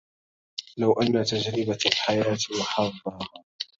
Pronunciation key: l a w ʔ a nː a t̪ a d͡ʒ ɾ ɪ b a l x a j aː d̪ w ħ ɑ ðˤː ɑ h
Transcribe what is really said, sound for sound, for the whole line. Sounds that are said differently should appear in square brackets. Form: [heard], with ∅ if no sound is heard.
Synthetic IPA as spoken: l a w ʔ a nː a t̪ a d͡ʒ ɾ ɪ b a l [ħ] a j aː [t̪] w ħ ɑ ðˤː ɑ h